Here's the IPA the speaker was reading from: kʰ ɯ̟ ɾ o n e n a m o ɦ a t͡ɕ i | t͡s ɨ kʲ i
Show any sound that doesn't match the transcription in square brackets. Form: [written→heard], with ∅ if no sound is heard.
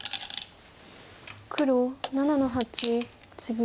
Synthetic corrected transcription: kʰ ɯ̟ ɾ o n [e→a] n a [m→n] o ɦ a t͡ɕ i | t͡s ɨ [kʲ→ɡʲ] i